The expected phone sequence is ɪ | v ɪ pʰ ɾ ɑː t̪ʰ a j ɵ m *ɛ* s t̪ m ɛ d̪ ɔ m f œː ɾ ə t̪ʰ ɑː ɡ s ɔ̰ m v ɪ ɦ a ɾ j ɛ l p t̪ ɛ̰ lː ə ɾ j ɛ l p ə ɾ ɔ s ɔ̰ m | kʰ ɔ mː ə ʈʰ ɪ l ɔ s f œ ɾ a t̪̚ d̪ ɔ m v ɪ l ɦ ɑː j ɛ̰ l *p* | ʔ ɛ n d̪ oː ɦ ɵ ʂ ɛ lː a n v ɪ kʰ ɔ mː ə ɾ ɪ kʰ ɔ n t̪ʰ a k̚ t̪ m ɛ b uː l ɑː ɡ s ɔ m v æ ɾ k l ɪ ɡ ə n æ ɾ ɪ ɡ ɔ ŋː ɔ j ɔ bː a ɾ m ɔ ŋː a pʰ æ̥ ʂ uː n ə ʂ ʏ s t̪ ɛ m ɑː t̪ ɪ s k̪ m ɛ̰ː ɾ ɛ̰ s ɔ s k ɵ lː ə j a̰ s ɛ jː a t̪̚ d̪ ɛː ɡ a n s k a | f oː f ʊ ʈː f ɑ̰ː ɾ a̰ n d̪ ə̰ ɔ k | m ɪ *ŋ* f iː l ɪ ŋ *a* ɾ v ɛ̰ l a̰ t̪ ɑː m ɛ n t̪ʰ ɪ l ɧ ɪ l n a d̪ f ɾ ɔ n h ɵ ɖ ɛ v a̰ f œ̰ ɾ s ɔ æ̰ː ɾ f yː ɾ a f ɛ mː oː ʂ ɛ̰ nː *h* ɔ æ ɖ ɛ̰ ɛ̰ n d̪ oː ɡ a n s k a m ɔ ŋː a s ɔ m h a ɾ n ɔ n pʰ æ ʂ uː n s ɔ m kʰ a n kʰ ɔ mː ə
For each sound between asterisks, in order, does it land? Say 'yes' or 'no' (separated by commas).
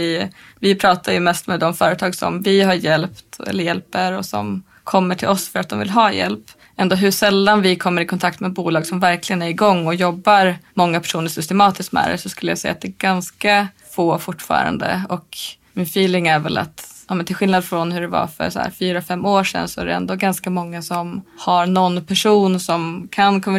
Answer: yes, yes, no, no, no